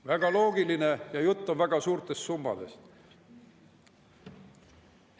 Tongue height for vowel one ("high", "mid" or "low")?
low